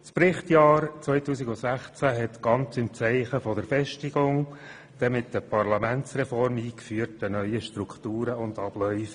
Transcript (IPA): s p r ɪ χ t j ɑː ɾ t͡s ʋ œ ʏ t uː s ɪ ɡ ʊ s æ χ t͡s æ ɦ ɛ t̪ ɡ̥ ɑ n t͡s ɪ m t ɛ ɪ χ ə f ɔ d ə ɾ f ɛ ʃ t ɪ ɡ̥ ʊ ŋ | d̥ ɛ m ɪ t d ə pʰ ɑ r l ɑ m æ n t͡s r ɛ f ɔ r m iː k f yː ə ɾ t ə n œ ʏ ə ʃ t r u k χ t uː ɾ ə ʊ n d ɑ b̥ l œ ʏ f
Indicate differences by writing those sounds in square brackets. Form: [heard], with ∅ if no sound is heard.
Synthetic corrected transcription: s p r ɪ χ t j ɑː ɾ t͡s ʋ œ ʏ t uː s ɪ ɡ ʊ s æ χ t͡s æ ɦ ɛ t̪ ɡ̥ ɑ n t͡s ɪ m [t͡s] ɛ ɪ χ ə f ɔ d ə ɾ f ɛ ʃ t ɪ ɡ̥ ʊ ŋ | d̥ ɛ m ɪ t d ə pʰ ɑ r l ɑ m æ n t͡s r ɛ f ɔ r m iː k f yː ə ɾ t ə n œ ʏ ə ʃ t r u k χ t uː ɾ ə ʊ n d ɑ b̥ l œ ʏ f